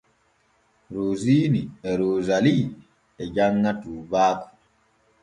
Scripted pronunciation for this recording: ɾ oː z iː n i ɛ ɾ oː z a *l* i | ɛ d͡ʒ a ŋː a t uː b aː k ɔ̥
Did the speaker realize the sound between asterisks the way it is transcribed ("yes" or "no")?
yes